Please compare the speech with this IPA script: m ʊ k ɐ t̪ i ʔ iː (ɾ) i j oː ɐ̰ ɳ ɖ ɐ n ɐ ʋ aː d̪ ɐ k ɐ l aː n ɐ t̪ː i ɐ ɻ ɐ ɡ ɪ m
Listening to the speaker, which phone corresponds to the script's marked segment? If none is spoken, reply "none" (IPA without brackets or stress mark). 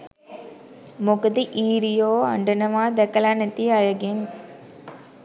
ɾ